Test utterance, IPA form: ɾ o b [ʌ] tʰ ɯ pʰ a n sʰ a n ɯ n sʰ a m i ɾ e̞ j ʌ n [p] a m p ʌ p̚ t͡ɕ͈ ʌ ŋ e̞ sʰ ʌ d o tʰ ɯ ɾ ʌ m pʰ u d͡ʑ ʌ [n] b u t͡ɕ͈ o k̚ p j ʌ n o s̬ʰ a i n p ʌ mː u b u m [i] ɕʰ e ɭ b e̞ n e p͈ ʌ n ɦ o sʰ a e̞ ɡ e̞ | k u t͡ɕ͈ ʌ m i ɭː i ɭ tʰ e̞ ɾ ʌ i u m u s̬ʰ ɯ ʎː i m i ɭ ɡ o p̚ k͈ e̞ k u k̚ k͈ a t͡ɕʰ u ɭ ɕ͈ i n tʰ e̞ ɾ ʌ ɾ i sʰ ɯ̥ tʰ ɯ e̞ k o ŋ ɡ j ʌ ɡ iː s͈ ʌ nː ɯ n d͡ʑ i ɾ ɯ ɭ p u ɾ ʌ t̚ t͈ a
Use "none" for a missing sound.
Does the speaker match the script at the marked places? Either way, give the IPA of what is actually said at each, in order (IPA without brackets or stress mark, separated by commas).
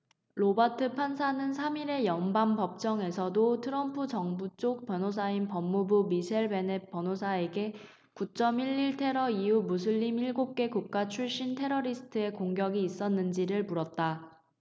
a, b, ŋ, i